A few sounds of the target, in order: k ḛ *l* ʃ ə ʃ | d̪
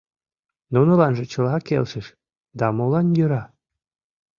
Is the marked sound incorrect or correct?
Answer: correct